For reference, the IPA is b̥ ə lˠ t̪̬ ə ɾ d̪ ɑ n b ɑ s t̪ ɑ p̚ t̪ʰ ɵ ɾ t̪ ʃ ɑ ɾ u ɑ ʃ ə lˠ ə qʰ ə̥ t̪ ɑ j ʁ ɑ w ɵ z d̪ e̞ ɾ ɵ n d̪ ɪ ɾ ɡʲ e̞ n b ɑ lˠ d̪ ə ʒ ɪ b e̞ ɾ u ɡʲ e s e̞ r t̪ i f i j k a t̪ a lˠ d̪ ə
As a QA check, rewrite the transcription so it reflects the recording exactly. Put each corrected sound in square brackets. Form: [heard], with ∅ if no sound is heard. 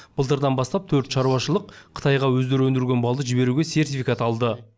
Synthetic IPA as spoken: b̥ ə lˠ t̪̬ ə ɾ d̪ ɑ n b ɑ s t̪ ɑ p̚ t̪ʰ ɵ ɾ t̪ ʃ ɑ ɾ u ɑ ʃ ə lˠ ə qʰ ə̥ t̪ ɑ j ʁ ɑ w ɵ z d̪ e̞ ɾ ɵ n d̪ ɪ ɾ ɡʲ e̞ n b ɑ lˠ d̪ ə ʒ ɪ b e̞ ɾ u ɡʲ e s e̞ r t̪ i f i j k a t̪ [ɑ] lˠ d̪ ə